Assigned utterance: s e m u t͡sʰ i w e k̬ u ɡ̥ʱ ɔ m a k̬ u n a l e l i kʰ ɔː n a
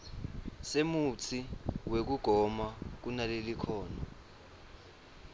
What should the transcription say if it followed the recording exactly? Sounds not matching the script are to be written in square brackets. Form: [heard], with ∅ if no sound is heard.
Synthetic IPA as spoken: s e m u t͡sʰ i w e k̬ u ɡ̥ʱ ɔ m a k̬ u n a l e l i kʰ ɔː n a